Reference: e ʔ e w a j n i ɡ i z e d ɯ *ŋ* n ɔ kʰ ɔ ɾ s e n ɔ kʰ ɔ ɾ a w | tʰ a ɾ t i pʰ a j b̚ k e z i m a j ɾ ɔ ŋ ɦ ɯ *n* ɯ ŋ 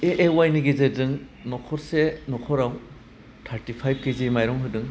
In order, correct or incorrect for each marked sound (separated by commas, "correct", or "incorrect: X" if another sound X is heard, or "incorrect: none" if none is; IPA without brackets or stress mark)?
correct, incorrect: d